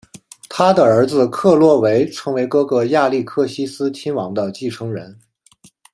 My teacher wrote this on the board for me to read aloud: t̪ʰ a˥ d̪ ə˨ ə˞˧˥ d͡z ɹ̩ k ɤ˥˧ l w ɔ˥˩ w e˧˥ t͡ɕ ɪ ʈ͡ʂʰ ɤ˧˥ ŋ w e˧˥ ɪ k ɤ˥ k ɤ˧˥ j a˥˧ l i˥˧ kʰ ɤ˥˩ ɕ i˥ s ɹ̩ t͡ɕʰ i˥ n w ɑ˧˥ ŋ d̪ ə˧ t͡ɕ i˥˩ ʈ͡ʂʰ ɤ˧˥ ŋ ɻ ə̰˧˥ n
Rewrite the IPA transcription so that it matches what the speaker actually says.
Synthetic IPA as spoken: t̪ʰ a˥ d̪ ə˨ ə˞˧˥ d͡z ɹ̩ kʰ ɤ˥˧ l w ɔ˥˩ w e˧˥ ɪ ʈ͡ʂʰ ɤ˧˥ ŋ w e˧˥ ɪ k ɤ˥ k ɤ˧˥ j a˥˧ l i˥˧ kʰ ɤ˥˩ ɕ i˥ s ɹ̩ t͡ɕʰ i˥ n w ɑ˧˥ ŋ d̪ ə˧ t͡ɕ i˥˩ ʈ͡ʂʰ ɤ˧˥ ŋ ɻ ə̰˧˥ n

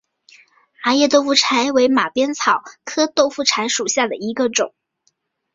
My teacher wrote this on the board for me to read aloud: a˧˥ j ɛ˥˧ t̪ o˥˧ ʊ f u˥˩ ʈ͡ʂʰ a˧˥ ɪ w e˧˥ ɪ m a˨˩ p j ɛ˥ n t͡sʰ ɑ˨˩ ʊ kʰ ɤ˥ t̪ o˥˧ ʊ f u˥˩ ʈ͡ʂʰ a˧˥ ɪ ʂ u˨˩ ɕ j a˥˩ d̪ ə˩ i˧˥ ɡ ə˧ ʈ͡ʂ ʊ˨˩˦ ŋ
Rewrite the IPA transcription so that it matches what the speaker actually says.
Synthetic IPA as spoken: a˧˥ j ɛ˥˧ t̪ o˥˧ ʊ f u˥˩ ʈ͡ʂʰ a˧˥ ɪ w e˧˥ ɪ m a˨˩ p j ɛ˥ n t͡sʰ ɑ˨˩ ʊ kʰ ɤ˥ t̪ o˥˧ ʊ f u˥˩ ʈ͡ʂʰ a˧˥ ɪ ʂ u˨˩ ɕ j a˥˩ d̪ ə˩ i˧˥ ɡ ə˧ ʈ͡ʂ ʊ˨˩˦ ŋ

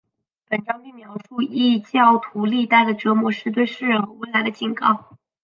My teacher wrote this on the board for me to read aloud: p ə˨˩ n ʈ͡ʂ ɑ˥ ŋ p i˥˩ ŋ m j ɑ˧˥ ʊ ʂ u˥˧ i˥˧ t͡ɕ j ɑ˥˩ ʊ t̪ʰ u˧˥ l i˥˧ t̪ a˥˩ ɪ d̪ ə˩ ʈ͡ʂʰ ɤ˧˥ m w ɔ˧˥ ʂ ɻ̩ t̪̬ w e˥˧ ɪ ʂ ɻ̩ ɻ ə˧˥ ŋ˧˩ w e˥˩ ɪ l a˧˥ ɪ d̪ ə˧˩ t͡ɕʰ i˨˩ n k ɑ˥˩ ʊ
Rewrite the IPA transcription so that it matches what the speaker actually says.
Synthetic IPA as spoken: p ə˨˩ n ʈ͡ʂ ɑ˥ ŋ p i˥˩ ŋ m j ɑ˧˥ ʊ ʂ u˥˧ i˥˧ t͡ɕ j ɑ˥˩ ʊ t̪ʰ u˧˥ l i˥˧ t̪ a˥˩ ɪ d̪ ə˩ ʈ͡ʂ ɤ˧˥ m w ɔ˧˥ ʂ ɻ̩ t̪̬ w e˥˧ ɪ ʂ ɻ̩ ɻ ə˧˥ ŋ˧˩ w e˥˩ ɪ l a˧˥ ɪ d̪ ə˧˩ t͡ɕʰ i˨˩ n k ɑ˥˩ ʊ

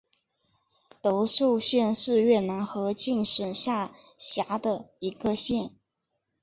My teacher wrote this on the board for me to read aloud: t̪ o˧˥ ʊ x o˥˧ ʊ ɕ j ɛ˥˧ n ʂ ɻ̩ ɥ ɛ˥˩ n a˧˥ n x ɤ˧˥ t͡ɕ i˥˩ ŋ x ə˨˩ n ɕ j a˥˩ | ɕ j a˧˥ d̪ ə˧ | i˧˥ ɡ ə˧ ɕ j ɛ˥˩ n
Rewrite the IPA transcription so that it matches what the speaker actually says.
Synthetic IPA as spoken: t̪ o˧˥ ʊ ʂ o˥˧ ʊ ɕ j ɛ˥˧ n ʂ ɻ̩ ɥ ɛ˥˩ n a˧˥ n x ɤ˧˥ t͡ɕ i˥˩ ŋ ʂ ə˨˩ n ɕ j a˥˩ | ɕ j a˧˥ d̪ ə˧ | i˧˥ ɡ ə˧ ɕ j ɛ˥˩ n

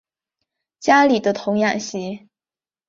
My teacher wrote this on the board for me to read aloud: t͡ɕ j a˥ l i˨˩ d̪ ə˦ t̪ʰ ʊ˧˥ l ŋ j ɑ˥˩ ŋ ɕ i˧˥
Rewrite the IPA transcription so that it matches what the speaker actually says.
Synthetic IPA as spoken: t͡ɕ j a˥ l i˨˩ d̪ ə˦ t̪ʰ ʊ˧˥ ŋ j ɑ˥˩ ŋ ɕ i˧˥

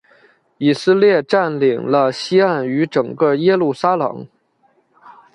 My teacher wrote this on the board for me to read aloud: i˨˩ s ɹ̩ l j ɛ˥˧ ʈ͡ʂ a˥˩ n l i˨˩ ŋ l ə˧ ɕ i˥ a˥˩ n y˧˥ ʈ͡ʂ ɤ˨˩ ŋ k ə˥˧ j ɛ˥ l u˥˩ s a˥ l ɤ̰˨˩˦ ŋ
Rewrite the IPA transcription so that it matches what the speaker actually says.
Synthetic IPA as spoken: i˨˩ s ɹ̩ l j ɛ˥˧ ʈ͡ʂ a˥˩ n l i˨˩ ŋ l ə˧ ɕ i˥ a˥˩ n y˧˥ ʈ͡ʂ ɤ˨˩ ŋ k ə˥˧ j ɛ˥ l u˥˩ s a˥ l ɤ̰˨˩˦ ŋ

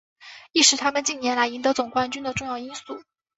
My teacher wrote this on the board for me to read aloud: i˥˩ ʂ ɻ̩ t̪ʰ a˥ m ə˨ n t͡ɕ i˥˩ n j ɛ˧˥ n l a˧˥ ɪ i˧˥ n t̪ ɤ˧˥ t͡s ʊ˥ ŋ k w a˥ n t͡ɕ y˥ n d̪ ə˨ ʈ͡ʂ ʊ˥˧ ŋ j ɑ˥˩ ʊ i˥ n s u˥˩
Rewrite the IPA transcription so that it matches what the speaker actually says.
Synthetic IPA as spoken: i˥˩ ʂ ɻ̩ t̪ʰ a˥ m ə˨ n t͡ɕ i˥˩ n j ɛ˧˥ n l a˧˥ ɪ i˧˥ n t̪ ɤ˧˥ t͡s ʊ˨˩ ŋ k w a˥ n t͡ɕ y˥ n d̪ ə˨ ʈ͡ʂ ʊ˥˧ ŋ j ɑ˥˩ ʊ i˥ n s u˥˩

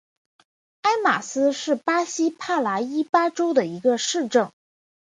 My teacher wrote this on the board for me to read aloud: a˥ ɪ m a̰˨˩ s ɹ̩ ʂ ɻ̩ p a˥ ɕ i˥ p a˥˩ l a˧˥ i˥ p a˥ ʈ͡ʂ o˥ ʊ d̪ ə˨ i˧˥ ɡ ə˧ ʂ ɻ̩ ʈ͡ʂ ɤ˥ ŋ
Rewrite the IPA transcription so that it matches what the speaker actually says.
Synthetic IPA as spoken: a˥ ɪ m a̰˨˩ s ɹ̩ ʂ ɻ̩ p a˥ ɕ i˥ pʰ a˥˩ l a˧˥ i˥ p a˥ ʈ͡ʂ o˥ ʊ d̪ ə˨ i˧˥ ɡ ə˧ ʂ ɻ̩ ʈ͡ʂ ɤ˥˩ ŋ

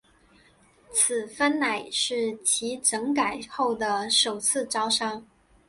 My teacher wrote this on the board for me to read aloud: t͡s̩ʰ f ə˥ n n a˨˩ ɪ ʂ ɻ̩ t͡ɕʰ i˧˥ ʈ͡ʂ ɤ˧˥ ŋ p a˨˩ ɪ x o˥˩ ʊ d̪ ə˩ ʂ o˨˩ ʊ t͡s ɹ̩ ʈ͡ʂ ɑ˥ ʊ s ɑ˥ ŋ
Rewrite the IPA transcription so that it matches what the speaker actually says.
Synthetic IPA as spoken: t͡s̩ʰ f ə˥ n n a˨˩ ɪ ʂ ɻ̩ t͡ɕʰ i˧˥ ʈ͡ʂ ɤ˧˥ ŋ k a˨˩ ɪ x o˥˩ ʊ d̪ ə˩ ʂ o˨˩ ʊ t͡sʰ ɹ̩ ʈ͡ʂ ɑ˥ ʊ ʂ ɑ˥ ŋ

